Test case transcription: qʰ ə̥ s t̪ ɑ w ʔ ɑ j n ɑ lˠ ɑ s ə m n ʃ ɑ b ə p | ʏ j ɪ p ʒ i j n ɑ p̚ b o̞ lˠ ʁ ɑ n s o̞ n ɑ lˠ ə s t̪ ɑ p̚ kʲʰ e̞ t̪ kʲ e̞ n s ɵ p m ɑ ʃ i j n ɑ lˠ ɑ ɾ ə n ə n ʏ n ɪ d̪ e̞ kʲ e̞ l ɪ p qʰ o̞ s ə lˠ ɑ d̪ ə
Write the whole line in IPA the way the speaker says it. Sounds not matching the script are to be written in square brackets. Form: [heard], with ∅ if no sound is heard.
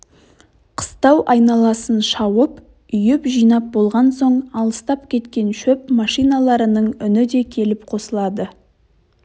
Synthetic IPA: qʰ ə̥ s t̪ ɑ w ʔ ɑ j n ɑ lˠ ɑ s ə [∅] n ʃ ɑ [w] ə p | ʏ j ɪ p ʒ i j n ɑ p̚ b o̞ lˠ ʁ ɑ n s o̞ [ɴ] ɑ lˠ ə s t̪ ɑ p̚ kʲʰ e̞ t̪ kʲ e̞ n [ʃ] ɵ p m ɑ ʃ i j n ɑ lˠ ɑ ɾ ə n ə [ɴ] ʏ n ɪ d̪ e̞ [kʲʰ] e̞ l ɪ p qʰ o̞ s ə lˠ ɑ d̪ ə

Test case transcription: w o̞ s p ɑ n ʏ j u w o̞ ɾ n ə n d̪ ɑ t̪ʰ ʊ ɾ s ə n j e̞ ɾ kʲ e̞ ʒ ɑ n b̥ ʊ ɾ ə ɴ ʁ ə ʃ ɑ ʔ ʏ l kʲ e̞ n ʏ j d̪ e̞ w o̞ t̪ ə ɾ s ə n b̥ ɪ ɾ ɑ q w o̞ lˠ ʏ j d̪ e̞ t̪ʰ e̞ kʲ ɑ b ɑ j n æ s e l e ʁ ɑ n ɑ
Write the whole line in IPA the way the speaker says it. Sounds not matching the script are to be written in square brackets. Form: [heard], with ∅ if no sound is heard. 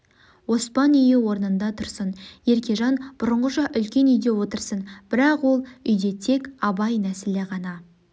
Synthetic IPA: w o̞ s p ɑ n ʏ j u w o̞ ɾ n ə n d̪ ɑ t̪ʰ ʊ ɾ s ə n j e̞ ɾ kʲ e̞ ʒ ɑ n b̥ ʊ ɾ ə ɴ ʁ ə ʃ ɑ ʔ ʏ l kʲ e̞ n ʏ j d̪ e̞ w o̞ t̪ ə ɾ s ə n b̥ ɪ ɾ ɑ q w o̞ lˠ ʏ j d̪ e̞ t̪ʰ e̞ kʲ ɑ b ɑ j n æ s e l e ʁ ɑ n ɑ

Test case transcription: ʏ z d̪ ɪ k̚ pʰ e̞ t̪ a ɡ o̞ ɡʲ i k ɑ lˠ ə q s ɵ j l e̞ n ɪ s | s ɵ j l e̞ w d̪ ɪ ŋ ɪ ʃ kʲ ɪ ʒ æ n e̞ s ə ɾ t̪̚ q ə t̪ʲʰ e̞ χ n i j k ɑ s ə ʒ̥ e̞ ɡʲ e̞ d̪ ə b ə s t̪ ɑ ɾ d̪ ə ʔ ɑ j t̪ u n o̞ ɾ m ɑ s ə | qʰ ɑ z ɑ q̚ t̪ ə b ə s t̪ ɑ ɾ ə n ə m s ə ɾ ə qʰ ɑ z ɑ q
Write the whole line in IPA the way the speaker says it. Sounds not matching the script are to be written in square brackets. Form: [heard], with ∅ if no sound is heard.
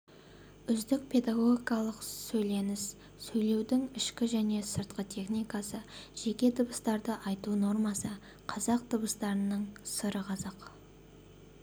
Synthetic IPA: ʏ z d̪ ɪ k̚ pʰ e̞ [d̪] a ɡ o̞ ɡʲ i k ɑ lˠ ə q s ɵ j l e̞ n ɪ s | s ɵ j l e̞ w d̪ ɪ ŋ ɪ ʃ kʲ ɪ ʒ æ n e̞ s ə ɾ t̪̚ q ə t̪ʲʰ e̞ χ n i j k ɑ s ə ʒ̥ e̞ [kʲ] e̞ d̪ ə b ə s t̪ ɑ ɾ d̪ ə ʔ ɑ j t̪ u n o̞ ɾ m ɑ s ə | qʰ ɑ z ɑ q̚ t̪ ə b ə s t̪ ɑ ɾ ə n ə [ɴ] s ə ɾ ə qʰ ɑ z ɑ q

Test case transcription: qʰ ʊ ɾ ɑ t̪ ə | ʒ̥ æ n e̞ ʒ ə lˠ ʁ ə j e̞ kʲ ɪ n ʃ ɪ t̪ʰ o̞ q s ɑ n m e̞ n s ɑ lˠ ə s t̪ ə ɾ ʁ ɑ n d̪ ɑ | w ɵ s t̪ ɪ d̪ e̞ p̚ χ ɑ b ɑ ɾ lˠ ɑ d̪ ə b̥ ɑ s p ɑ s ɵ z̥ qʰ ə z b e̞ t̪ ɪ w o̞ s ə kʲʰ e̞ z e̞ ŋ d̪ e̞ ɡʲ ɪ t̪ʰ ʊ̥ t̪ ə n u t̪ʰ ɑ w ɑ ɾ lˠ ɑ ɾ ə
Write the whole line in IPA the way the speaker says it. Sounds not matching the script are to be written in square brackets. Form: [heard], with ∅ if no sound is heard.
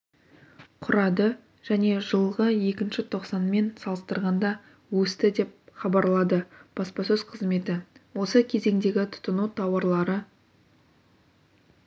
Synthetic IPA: qʰ ʊ ɾ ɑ [d̪] ə | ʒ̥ æ n e̞ ʒ ə lˠ ʁ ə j e̞ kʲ ɪ n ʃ ɪ t̪ʰ o̞ q s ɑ n m e̞ n s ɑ lˠ ə s t̪ ə ɾ ʁ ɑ n d̪ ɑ | w ɵ s t̪ ɪ d̪ e̞ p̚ χ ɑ b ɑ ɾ lˠ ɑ d̪ ə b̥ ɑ s p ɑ s ɵ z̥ qʰ ə z [m] e̞ t̪ ɪ w o̞ s ə kʲʰ e̞ z e̞ ŋ d̪ e̞ ɡʲ ɪ t̪ʰ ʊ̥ t̪ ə n u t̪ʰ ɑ w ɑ ɾ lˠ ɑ ɾ ə

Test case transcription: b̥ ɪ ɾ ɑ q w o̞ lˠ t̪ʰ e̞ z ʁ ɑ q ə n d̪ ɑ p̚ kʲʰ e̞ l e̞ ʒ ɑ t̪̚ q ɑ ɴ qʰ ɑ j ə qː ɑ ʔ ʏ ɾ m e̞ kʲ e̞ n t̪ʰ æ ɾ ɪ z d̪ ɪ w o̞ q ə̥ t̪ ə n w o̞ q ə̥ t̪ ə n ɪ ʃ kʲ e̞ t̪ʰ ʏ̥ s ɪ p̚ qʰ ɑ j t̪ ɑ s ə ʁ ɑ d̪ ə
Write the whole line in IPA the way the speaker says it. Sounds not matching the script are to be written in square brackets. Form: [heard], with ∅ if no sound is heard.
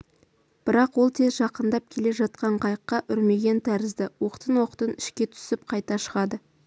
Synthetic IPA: b̥ ɪ ɾ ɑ q w o̞ lˠ t̪ʰ e̞ z [ʒ] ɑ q ə n d̪ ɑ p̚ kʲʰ e̞ l e̞ ʒ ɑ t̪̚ q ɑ ɴ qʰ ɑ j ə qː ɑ ʔ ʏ ɾ m e̞ [ɡʲ] e̞ n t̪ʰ æ ɾ ɪ z d̪ ɪ w o̞ q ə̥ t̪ ə n w o̞ q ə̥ t̪ ə n ɪ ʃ kʲ e̞ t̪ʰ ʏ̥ s ɪ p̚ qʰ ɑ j t̪ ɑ [ʃ] ə ʁ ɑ d̪ ə

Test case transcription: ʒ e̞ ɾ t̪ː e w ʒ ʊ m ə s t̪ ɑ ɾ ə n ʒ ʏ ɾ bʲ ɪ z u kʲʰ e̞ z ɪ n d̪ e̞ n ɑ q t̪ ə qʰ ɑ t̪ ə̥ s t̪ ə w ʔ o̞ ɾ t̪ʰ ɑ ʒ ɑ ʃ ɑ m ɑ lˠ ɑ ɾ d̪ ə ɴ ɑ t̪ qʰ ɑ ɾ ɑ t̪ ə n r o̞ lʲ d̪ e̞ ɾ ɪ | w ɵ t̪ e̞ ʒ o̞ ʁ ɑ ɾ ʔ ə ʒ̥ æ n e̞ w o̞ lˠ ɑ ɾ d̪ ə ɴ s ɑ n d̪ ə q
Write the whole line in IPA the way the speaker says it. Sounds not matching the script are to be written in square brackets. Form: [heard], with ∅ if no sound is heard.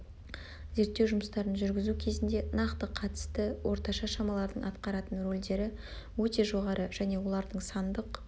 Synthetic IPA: [z] e̞ ɾ t̪ː e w ʒ ʊ m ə s t̪ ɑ ɾ ə n ʒ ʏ ɾ [ɡʲ] ɪ z u kʲʰ e̞ z ɪ n d̪ e̞ n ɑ q t̪ ə qʰ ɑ t̪ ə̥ s t̪ ə w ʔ o̞ ɾ [t̪] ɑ [ʃ] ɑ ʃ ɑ m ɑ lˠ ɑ ɾ d̪ ə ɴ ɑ t̪ [q] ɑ ɾ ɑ t̪ ə n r o̞ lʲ d̪ e̞ ɾ ɪ | w ɵ t̪ e̞ ʒ o̞ ʁ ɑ ɾ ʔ ə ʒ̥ æ n e̞ w o̞ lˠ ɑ ɾ d̪ ə ɴ s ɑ n d̪ ə q

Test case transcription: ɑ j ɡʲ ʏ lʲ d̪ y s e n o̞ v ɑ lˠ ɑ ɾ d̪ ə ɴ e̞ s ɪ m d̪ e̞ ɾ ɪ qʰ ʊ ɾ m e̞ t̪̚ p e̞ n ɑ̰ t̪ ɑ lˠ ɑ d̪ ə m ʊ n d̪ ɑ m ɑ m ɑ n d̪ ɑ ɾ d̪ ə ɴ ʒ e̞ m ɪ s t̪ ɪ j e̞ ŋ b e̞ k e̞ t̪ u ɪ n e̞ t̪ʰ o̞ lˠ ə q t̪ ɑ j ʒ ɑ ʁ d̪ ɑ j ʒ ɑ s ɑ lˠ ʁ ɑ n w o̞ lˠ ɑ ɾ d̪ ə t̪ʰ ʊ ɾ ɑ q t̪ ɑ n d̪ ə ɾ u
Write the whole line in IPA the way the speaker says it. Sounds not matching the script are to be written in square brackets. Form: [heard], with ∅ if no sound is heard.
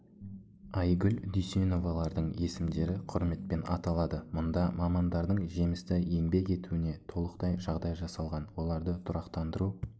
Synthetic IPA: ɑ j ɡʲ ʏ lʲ d̪ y s e n o̞ v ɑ lˠ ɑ ɾ d̪ ə ɴ e̞ s ɪ m d̪ e̞ ɾ ɪ qʰ ʊ ɾ m e̞ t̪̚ p e̞ n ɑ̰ t̪ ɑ lˠ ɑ d̪ ə m ʊ n d̪ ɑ m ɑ m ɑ n d̪ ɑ ɾ d̪ ə ɴ ʒ e̞ m ɪ s t̪ ɪ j e̞ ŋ b e̞ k e̞ t̪ u ɪ n e̞ t̪ʰ o̞ lˠ ə q t̪ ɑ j ʒ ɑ ʁ d̪ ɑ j ʒ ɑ s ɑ lˠ ʁ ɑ n w o̞ lˠ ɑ ɾ d̪ ə t̪ʰ ʊ ɾ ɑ q t̪ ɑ n d̪ ə ɾ u

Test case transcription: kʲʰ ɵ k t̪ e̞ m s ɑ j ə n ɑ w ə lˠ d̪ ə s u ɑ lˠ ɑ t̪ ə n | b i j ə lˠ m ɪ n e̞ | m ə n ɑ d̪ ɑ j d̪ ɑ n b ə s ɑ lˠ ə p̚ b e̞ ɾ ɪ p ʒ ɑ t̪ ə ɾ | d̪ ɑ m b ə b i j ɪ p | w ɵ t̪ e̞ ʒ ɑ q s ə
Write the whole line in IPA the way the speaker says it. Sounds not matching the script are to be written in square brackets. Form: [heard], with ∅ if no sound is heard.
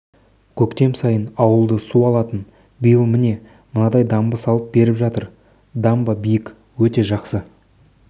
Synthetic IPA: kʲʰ ɵ k t̪ e̞ m s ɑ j ə n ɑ w ə lˠ d̪ ə s u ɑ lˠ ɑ t̪ ə n | b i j ə lˠ m ɪ n e̞ | m ə n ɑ d̪ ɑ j d̪ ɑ [m] b ə s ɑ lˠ ə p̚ b e̞ ɾ ɪ p ʒ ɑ t̪ ə ɾ | d̪ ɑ m b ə b i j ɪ [k] | w ɵ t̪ e̞ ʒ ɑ q s ə

